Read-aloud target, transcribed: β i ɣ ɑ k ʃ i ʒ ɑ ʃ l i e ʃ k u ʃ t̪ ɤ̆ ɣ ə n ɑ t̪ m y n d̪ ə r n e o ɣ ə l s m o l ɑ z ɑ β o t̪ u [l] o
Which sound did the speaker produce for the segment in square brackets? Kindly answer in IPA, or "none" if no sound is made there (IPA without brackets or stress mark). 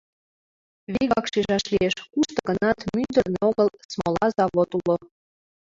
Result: l